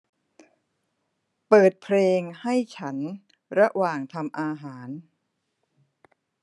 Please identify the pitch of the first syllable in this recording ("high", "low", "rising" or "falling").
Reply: low